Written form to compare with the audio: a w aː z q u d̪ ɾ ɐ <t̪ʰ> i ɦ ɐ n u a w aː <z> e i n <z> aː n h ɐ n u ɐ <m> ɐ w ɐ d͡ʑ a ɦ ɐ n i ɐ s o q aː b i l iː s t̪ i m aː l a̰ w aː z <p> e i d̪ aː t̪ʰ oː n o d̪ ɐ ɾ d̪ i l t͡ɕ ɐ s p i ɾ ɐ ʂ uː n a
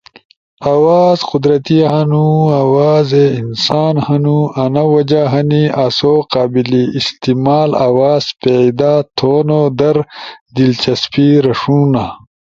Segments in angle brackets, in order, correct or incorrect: incorrect, correct, incorrect, incorrect, correct

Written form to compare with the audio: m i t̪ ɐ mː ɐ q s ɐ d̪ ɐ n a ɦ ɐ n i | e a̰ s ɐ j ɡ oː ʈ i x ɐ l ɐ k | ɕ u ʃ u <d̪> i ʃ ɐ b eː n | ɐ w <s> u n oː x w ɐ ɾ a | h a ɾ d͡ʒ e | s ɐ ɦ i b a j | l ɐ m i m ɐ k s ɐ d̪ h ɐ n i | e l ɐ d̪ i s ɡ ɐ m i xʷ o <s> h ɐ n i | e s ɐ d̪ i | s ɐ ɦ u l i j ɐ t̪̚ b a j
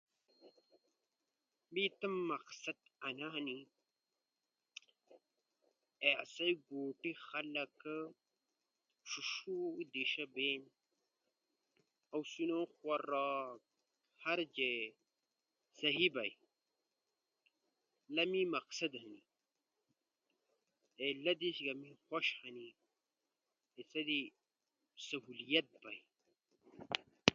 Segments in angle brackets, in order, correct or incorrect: correct, correct, incorrect

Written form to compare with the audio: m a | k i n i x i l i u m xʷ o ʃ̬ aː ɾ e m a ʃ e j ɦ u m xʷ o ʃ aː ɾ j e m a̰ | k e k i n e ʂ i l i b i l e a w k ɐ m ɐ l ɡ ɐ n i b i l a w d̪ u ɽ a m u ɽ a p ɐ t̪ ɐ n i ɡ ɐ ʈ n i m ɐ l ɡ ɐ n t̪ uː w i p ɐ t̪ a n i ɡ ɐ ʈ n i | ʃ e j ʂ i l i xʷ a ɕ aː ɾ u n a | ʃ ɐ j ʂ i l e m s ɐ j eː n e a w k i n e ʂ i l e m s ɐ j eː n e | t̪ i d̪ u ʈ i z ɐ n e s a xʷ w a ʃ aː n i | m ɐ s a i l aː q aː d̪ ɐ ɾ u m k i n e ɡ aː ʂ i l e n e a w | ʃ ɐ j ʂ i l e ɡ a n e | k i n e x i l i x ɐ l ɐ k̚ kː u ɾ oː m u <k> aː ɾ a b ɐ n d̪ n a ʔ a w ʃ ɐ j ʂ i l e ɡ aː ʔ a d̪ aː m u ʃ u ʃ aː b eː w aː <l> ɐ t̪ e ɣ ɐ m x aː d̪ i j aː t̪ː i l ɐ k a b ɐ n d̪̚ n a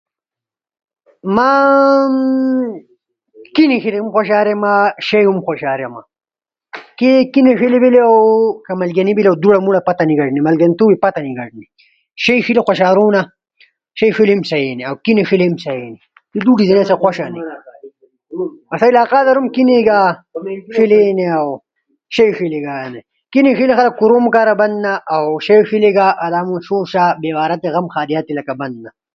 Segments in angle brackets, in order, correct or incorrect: correct, incorrect

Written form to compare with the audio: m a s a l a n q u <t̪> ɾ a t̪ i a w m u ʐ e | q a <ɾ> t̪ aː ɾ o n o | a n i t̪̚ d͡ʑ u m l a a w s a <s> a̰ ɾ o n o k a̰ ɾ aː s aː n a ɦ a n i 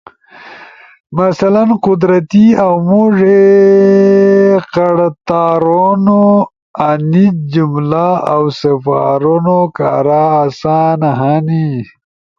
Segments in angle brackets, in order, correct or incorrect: incorrect, incorrect, incorrect

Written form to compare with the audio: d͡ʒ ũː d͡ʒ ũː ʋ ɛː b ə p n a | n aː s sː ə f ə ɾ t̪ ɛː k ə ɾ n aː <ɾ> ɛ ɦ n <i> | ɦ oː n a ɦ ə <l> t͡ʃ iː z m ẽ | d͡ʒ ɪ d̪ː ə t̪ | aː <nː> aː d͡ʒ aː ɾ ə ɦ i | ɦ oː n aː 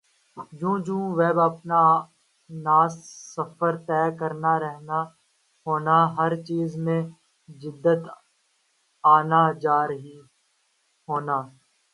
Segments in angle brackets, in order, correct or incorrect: correct, incorrect, incorrect, incorrect

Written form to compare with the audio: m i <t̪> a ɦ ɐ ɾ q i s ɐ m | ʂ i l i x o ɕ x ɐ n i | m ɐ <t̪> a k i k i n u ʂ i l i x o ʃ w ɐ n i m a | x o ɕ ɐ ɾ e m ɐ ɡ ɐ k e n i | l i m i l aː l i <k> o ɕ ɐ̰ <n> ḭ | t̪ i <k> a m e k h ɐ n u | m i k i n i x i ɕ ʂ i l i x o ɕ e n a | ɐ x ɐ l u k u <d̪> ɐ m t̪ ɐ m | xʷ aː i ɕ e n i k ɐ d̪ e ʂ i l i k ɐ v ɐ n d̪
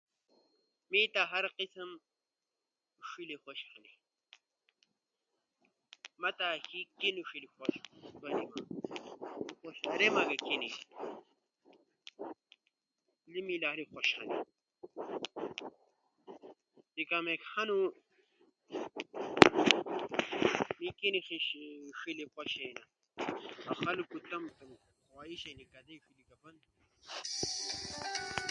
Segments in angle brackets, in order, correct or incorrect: correct, correct, incorrect, correct, correct, incorrect

